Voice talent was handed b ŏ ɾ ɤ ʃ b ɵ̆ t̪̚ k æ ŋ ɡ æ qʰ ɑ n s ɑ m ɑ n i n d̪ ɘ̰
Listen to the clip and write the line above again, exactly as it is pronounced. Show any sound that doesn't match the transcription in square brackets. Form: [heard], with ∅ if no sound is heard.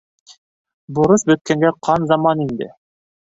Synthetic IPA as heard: b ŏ ɾ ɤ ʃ b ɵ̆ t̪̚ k æ ŋ ɡ æ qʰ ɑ n [z] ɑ m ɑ n i n d̪ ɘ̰